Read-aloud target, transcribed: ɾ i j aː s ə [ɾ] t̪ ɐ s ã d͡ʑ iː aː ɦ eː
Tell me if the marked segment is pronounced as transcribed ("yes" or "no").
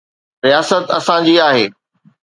no